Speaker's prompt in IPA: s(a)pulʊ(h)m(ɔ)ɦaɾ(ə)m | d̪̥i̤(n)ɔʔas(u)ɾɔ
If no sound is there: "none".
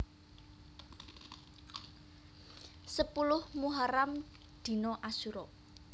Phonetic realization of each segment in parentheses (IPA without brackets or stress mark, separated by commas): ə, h, u, a, n, u